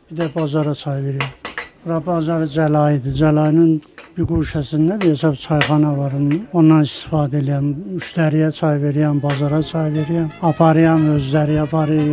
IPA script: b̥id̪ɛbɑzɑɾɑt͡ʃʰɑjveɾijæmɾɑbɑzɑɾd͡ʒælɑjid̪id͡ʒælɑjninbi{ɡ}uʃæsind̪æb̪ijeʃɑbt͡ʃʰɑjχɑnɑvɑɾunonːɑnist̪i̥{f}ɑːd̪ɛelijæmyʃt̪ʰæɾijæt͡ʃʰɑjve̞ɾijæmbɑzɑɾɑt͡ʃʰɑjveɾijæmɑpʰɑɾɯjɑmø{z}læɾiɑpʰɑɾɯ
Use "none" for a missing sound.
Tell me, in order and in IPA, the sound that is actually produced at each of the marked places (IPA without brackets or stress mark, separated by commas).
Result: ɡ, f, z